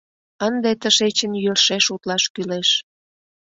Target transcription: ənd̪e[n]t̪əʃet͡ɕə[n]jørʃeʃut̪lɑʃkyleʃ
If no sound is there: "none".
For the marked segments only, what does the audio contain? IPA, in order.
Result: none, n

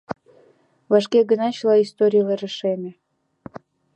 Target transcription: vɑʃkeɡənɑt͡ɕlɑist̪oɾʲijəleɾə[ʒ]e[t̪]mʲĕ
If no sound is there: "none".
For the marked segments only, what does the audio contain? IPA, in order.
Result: ʃ, none

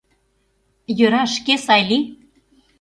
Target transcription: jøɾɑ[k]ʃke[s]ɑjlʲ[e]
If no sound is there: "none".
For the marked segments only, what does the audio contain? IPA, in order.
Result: none, s, i

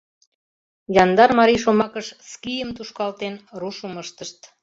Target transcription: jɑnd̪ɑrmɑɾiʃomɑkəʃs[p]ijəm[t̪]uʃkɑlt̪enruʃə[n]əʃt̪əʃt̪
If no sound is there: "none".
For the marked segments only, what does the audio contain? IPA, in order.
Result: k, t̪, m

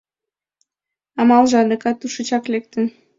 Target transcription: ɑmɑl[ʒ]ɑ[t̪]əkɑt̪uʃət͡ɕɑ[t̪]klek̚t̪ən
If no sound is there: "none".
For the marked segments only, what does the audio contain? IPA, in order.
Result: ʒ, d̪, none

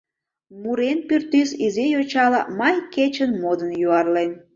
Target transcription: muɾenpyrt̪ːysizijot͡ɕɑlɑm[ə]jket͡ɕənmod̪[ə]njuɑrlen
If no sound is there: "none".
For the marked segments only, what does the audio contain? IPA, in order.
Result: ɑ, ə

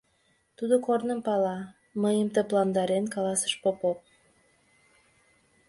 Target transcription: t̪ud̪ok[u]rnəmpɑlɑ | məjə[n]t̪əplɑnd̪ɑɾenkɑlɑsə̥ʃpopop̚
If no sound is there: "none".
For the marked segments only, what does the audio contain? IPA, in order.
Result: o, m

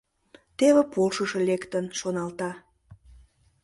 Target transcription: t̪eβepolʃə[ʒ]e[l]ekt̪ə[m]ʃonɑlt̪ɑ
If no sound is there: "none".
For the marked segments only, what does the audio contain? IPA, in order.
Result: ʃ, l, n

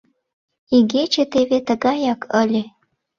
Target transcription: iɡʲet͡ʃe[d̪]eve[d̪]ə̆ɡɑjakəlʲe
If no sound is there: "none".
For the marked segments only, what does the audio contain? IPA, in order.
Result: t̪, t̪

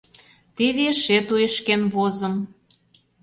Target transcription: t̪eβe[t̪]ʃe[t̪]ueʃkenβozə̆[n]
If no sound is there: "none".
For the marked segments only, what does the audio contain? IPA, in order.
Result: none, t̪, m

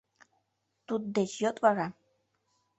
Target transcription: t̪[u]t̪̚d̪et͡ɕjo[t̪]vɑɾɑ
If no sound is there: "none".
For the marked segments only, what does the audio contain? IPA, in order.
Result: u, t̪

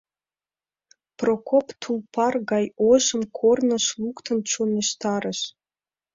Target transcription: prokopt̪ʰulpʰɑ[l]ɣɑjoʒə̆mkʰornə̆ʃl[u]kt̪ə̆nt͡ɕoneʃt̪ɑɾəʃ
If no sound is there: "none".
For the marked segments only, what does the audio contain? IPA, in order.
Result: r, u

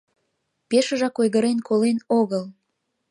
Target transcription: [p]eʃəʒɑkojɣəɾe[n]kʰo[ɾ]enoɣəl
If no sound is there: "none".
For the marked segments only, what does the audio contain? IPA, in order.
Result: p, n, l

